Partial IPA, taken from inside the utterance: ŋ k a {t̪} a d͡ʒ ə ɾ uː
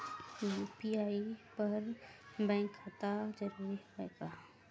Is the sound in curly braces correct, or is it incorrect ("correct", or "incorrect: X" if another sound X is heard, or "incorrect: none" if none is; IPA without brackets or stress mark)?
correct